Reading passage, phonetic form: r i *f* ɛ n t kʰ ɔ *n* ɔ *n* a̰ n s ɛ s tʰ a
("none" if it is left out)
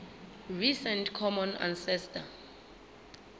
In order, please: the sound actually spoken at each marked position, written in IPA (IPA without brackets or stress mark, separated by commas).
s, m, n